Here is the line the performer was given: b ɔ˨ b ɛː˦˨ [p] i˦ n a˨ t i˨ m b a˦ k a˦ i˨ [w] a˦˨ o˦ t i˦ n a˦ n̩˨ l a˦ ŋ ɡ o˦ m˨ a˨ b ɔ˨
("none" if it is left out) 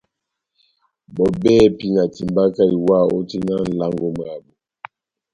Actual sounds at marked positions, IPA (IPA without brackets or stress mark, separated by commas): p, w